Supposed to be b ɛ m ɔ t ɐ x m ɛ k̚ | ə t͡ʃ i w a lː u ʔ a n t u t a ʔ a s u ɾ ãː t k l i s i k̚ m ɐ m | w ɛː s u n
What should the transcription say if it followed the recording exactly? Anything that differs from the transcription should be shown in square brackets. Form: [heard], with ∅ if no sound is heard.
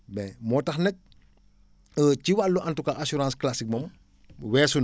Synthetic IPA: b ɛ m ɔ t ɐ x [n] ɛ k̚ | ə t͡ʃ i w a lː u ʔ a n t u [k] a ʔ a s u ɾ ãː [s] k l [a] s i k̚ m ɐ m | w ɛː s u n